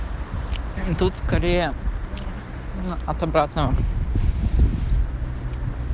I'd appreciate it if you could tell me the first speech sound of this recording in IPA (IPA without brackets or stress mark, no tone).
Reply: t̪